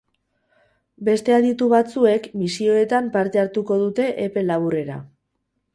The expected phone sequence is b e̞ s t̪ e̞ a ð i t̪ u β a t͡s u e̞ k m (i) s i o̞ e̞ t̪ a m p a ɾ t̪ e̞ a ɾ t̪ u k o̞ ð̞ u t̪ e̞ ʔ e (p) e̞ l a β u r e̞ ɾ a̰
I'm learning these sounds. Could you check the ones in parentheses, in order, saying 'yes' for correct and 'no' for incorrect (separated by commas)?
yes, yes